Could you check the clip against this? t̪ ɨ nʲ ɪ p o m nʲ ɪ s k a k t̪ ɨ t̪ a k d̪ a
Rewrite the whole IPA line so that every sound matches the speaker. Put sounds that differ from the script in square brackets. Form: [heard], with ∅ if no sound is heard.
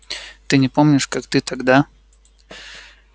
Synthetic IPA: t̪ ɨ nʲ ɪ p o m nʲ ɪ [ʂ] k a k t̪ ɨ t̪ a [ɡ] d̪ a